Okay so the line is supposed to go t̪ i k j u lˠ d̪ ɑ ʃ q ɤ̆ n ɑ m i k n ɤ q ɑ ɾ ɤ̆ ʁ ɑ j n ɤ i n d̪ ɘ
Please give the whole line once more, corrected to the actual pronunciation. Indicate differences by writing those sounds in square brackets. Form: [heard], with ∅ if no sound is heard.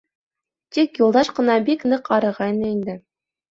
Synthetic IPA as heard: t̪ i k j u lˠ d̪ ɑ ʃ q ɤ̆ n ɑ [b] i k n ɤ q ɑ ɾ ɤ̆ ʁ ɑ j n ɤ i n d̪ ɘ